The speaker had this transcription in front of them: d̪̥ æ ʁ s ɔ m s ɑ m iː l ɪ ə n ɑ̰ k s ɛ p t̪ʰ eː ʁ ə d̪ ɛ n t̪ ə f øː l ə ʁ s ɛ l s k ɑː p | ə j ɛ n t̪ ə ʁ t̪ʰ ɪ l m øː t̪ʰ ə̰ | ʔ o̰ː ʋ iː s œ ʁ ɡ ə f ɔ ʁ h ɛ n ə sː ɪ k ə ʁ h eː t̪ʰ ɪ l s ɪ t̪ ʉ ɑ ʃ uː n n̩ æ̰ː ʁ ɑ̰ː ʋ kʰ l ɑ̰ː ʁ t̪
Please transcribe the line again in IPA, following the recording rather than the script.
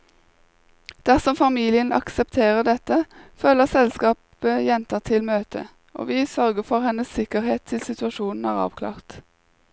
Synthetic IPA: d̪̥ æ ʁ s ɔ m f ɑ m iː l ɪ ə n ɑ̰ k s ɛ p t̪ʰ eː ʁ ə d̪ ɛ t̪ ə f øː l ə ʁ s ɛ l s k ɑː p | ə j ɛ n t̪ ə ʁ t̪ʰ ɪ l m øː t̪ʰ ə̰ | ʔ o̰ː ʋ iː s œ ʁ ɡ ə f ɔ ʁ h ɛ n ə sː ɪ k ə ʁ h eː t̪ʰ ɪ l s ɪ t̪ ʉ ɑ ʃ uː n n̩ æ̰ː ʁ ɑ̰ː ʋ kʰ l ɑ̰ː ʁ t̪